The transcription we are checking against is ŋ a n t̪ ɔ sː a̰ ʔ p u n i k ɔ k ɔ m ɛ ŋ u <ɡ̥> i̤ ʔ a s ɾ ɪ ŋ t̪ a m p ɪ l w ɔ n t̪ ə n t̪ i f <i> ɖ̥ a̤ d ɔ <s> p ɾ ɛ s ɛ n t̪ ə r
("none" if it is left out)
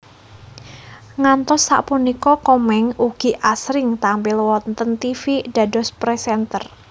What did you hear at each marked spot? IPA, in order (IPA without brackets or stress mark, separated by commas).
ɡ̥, i, s